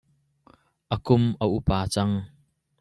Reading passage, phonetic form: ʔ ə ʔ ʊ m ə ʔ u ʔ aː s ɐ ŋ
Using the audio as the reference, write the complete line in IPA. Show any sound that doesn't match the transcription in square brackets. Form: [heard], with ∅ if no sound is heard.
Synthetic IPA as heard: ʔ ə [k] ʊ m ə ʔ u [p] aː [t͡s] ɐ ŋ